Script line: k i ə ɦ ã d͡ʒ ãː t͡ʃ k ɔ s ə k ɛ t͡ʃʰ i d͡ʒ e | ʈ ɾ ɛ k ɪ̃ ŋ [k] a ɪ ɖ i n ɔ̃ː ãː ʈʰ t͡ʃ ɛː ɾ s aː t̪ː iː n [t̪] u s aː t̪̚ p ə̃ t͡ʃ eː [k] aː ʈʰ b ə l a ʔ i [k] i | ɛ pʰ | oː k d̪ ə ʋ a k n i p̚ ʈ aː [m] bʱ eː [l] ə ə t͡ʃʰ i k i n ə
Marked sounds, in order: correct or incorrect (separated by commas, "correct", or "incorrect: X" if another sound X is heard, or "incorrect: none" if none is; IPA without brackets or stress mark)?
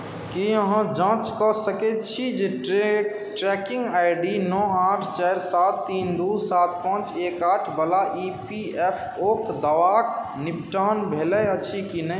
incorrect: ɡ, incorrect: d̪, correct, incorrect: p, incorrect: n, correct